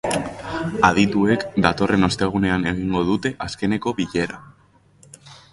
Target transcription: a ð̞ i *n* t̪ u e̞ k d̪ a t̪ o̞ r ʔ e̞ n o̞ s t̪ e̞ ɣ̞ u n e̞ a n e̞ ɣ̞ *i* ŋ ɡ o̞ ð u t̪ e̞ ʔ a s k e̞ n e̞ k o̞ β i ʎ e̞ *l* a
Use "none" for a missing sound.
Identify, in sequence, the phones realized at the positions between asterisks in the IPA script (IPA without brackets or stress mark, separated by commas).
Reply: none, i, ɾ